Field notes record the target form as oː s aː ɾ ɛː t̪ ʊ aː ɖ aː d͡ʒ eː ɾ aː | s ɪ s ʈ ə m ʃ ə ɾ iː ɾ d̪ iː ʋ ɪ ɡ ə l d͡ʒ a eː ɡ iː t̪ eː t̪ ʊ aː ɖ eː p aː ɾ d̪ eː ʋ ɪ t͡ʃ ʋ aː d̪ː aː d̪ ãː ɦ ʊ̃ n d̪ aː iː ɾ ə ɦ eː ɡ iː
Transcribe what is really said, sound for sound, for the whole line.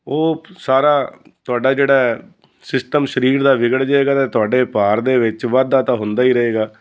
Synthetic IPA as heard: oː s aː ɾ aː t̪ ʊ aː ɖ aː d͡ʒ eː ɽ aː | s ɪ s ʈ ə m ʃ ə ɾ iː ɾ d̪ aː ʋ ɪ ɡ ə ɽ d͡ʒ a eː ɡ aː t̪ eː t̪ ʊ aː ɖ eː p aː ɾ d̪ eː ʋ ɪ t͡ʃ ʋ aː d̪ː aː t̪ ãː ɦ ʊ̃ n d̪ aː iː ɾ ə ɦ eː ɡ aː